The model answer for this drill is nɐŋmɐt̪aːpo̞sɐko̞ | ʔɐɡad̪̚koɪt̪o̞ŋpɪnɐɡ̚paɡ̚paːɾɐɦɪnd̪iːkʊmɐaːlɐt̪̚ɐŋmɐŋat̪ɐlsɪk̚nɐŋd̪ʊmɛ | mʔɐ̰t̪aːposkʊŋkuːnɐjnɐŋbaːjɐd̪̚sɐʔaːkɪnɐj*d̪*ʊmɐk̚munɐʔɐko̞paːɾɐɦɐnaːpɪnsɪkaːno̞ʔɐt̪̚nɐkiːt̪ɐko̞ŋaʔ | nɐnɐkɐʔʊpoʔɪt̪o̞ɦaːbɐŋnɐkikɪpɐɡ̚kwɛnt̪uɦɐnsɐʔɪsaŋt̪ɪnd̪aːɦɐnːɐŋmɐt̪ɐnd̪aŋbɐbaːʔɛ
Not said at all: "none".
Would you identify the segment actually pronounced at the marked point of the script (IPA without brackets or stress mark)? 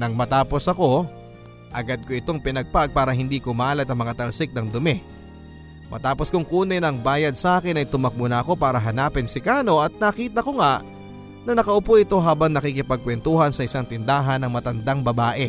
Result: t̪